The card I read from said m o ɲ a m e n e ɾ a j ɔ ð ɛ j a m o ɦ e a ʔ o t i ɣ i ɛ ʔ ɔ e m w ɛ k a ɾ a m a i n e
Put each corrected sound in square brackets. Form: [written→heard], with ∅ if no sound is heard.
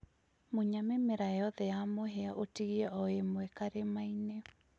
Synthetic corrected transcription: m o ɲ a m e [n→m] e ɾ a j ɔ ð ɛ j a m o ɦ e a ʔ o t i ɣ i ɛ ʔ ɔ e m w ɛ k a ɾ [a→e] m a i n e